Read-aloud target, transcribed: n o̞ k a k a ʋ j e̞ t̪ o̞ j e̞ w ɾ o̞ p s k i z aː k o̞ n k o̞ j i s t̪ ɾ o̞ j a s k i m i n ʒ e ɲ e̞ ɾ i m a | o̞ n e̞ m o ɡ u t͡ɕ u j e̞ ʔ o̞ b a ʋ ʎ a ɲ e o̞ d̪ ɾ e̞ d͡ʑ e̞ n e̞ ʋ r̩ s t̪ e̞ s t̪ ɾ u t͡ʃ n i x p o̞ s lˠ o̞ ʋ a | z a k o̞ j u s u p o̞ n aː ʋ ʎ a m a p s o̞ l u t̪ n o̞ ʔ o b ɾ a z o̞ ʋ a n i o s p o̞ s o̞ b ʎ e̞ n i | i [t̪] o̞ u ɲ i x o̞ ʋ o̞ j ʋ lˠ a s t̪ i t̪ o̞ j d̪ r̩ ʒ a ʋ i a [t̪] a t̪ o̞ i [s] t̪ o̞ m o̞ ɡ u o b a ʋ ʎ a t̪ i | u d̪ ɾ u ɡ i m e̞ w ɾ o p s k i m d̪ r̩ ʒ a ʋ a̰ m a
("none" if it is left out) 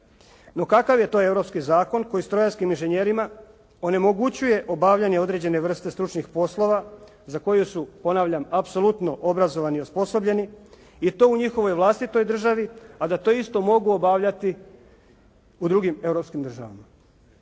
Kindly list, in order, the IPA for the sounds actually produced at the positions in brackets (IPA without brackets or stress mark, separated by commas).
t̪, d̪, s